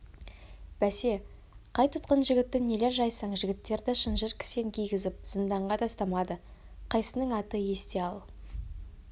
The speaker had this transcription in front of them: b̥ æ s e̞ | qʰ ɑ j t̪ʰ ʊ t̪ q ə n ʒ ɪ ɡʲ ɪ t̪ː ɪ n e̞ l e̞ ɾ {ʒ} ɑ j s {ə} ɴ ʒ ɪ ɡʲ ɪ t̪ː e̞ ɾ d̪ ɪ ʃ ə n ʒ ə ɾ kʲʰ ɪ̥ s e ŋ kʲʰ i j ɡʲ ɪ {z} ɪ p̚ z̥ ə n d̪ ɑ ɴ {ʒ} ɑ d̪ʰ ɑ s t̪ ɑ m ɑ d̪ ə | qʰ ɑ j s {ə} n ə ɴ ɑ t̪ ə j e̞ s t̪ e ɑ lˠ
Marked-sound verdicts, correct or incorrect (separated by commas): correct, incorrect, correct, incorrect, correct